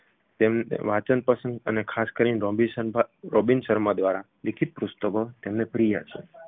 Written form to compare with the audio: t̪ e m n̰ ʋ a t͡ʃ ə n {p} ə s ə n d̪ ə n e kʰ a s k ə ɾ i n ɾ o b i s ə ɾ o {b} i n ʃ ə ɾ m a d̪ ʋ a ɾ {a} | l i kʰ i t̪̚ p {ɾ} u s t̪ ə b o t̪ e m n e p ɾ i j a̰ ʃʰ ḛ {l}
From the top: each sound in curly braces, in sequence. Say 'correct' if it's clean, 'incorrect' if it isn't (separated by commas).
correct, correct, correct, correct, incorrect